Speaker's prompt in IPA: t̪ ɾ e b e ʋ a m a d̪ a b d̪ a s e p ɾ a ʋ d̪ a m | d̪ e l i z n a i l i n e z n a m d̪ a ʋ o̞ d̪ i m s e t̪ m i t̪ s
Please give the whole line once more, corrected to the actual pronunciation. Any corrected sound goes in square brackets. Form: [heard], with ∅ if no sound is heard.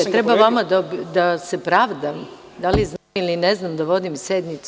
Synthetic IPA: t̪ ɾ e b [a] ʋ a m a d̪ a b d̪ a s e p ɾ a ʋ d̪ a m | d̪ [a] l i z n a i l i n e z n a m d̪ a ʋ o̞ d̪ i m s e [d̪] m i t̪ s